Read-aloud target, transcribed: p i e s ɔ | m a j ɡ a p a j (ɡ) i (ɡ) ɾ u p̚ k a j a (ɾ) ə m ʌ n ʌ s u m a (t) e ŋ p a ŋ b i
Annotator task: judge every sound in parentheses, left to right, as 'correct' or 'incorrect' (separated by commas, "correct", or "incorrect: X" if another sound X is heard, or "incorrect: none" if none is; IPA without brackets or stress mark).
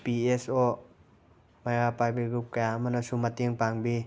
incorrect: b, correct, incorrect: none, correct